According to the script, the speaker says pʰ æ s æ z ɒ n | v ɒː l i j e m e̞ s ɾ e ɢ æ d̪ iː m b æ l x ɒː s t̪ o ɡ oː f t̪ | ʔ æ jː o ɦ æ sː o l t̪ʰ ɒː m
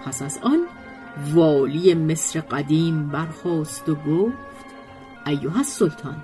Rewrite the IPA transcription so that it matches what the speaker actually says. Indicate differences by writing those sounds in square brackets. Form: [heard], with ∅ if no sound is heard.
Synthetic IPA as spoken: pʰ æ s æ z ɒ n | v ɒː l i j e m e̞ s ɾ e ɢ æ d̪ iː m b æ [ɾ] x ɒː s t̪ o ɡ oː f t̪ | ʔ æ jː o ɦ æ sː o l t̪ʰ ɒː [n]